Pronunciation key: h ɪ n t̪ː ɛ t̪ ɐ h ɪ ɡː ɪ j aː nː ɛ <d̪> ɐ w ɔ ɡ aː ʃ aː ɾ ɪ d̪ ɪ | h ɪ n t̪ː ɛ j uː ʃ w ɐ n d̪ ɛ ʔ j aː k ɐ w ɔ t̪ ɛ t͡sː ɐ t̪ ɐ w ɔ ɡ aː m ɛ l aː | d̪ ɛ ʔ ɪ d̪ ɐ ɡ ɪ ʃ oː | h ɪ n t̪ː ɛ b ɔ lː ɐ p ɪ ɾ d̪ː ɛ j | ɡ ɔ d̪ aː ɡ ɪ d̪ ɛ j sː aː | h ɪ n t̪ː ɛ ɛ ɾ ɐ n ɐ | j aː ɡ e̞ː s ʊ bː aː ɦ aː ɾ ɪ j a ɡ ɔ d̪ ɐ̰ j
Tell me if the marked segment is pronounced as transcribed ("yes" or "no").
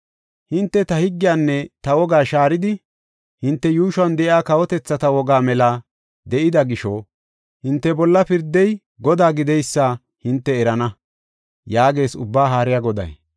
no